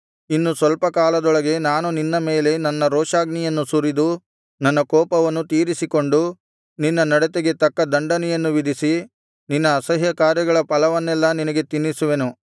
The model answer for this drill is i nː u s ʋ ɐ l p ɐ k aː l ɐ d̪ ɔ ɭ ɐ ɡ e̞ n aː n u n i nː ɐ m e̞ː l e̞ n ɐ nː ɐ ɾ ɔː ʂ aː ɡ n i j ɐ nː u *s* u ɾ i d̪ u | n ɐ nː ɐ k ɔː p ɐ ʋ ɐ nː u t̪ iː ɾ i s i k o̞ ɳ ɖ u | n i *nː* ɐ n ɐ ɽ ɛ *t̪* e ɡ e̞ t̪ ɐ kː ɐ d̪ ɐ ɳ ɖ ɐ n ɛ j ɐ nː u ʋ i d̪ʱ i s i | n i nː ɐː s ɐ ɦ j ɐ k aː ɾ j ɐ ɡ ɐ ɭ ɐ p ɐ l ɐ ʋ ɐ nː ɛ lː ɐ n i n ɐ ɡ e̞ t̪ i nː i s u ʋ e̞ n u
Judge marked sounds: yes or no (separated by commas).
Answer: yes, yes, yes